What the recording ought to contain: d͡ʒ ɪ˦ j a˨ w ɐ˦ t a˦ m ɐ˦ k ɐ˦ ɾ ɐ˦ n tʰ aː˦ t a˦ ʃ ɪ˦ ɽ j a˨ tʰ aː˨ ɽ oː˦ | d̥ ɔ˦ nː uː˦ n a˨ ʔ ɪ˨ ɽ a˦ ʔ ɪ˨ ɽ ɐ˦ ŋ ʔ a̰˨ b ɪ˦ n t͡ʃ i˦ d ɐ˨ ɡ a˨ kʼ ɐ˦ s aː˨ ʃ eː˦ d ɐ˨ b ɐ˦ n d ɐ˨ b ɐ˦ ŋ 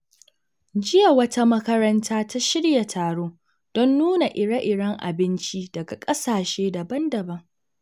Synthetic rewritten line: d͡ʒ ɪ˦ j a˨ w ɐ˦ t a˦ m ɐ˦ k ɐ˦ ɾ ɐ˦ n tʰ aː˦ t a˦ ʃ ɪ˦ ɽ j a˨ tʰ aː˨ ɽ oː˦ | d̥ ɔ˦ nː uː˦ n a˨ ʔ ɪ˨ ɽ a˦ ʔ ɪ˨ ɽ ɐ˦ ŋ ʔ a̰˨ b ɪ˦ n t͡ʃ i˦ d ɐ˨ ɡ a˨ kʼ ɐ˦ s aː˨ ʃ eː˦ d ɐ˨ b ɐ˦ n d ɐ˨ b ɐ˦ ŋ

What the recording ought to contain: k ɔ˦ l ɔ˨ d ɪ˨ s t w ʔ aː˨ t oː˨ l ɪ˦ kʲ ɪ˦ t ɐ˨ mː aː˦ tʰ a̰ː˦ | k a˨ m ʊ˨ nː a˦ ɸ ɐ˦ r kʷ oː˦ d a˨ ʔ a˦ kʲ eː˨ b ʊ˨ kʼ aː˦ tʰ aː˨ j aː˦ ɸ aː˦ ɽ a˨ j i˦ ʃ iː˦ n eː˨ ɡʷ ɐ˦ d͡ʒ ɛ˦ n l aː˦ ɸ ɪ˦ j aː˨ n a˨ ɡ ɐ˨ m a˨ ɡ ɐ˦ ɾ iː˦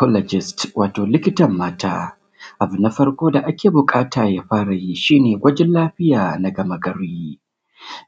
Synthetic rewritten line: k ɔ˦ l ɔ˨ d͡ʒ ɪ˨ s t w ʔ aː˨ t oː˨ l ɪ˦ kʲ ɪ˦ t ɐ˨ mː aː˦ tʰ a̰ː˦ | ʔ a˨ b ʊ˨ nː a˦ ɸ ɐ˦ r kʷ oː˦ d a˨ ʔ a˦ kʲ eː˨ b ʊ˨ kʼ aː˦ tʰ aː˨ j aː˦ ɸ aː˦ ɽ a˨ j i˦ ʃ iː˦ n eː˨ ɡʷ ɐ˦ d͡ʒ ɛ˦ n l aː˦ ɸ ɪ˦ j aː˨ n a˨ ɡ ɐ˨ m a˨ ɡ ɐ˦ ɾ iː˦

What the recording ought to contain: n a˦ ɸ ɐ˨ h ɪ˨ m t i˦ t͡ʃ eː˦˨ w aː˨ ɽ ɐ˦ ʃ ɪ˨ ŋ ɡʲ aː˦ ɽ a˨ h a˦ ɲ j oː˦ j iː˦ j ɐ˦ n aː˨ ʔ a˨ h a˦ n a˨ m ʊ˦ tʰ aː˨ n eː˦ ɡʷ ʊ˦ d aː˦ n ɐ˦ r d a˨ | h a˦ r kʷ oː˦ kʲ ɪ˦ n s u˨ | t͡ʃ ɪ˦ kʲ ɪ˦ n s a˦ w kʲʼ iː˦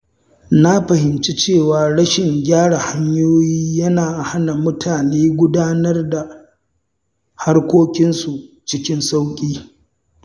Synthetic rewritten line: n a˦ ɸ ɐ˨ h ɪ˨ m t͡ʃ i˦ t͡ʃ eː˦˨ w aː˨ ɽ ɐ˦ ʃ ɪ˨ ŋ ɡʲ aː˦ ɽ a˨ h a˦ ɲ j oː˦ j iː˦ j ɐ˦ n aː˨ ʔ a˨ h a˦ n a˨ m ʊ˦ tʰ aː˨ n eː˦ ɡʷ ʊ˦ d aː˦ n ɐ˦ r d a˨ | h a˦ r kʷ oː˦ kʲ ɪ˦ n s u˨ | t͡ʃ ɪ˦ kʲ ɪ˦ n s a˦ w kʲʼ iː˦

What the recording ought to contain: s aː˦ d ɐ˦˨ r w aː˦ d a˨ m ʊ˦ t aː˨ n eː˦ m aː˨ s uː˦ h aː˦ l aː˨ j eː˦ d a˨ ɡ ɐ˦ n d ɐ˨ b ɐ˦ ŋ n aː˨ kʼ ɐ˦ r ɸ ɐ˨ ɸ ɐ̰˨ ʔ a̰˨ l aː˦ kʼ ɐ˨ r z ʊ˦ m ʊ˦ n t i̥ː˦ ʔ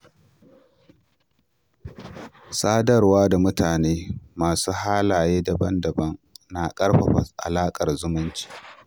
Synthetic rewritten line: s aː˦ d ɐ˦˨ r w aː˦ d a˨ m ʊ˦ t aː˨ n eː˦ m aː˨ s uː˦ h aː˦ l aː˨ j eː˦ d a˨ b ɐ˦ n d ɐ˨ b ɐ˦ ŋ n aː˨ kʼ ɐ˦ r ɸ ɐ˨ ɸ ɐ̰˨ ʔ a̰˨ l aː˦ kʼ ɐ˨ r z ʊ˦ m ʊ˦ n t͡ʃ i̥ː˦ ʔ

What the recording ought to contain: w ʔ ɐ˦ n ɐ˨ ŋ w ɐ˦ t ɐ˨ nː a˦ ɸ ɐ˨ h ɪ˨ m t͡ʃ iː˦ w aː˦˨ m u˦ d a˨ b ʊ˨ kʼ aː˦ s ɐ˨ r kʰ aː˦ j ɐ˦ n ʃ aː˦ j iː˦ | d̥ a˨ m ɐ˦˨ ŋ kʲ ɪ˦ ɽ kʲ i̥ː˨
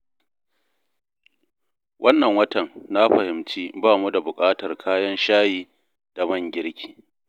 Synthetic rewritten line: w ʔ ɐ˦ nː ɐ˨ ŋ w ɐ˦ t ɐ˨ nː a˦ ɸ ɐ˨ h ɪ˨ m t͡ʃ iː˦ b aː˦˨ m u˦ d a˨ b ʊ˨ kʼ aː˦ t ɐ˨ r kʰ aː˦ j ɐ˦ n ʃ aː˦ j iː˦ | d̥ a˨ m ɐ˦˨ ŋ ɡʲ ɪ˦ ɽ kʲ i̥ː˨

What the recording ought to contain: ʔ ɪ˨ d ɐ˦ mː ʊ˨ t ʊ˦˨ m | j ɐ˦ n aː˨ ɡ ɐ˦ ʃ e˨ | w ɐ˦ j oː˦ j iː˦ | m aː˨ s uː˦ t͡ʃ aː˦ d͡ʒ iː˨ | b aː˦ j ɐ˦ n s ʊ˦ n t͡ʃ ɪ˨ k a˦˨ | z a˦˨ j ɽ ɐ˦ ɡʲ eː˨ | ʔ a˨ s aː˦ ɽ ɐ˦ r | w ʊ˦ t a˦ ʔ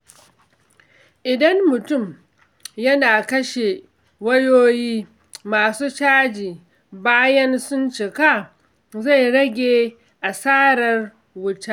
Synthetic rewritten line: ʔ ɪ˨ d ɐ˦ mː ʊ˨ t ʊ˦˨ m | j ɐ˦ n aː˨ k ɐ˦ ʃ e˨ | w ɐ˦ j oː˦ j iː˦ | m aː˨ s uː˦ t͡ʃ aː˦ d͡ʒ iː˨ | b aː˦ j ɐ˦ n s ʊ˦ n t͡ʃ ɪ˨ k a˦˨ | z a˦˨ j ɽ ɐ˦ ɡʲ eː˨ | ʔ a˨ s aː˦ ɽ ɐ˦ r | w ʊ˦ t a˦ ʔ

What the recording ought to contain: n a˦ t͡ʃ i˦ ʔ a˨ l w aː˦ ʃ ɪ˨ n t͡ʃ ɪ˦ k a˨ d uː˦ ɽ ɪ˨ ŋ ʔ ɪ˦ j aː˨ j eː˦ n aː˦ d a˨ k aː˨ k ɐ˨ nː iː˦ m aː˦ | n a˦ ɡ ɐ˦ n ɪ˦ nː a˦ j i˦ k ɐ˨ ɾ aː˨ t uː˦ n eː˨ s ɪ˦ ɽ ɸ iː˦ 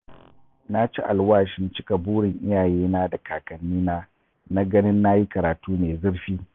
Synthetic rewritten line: n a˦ t͡ʃ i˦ ʔ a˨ l w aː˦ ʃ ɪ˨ n t͡ʃ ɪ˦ k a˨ b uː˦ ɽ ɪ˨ ŋ ʔ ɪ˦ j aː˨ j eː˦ n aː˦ d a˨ k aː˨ k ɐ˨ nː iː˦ n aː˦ | n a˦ ɡ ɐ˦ n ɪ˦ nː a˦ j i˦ k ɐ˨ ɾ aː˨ t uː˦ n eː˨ z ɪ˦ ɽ ɸ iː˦

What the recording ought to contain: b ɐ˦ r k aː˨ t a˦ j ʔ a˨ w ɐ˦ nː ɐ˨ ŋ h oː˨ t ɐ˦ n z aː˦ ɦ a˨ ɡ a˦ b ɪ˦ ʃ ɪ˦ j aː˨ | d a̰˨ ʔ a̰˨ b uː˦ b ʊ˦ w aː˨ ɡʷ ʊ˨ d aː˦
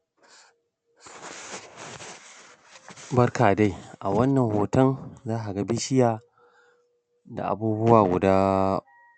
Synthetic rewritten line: b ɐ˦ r k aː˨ d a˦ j ʔ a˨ w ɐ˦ nː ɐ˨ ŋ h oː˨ t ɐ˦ n z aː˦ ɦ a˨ ɡ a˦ b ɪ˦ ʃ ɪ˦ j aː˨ | d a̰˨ ʔ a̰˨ b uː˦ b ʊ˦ w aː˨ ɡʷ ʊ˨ d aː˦

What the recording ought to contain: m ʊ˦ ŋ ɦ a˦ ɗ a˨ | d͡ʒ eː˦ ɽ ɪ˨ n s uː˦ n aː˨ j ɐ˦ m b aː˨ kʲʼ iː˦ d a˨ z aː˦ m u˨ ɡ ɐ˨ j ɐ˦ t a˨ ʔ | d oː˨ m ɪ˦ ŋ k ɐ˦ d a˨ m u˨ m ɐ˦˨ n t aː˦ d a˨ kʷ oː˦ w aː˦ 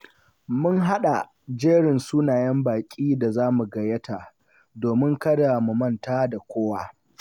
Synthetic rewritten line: m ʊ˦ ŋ ɦ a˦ ɗ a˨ | d͡ʒ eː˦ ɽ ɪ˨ n s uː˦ n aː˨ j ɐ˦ m b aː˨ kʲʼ iː˦ d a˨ z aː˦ m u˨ ɡ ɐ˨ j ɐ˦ t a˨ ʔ | d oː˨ m ɪ˦ ŋ k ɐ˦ d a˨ m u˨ m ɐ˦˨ n t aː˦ d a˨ kʷ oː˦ w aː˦

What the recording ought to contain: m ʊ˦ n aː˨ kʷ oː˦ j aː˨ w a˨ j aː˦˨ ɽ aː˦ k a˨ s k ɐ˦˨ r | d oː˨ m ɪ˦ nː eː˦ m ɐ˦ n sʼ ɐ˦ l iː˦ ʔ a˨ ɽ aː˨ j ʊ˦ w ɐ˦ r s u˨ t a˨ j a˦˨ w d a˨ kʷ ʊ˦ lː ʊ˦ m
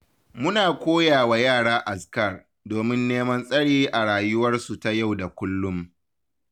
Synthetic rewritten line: m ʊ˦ n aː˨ kʷ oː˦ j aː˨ w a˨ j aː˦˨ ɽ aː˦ ʔ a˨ s k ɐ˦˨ r | d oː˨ m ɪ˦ nː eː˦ m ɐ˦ n sʼ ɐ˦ ɽ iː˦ ʔ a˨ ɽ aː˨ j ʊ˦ w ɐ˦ r s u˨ t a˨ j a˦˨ w d a˨ kʷ ʊ˦ lː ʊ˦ m

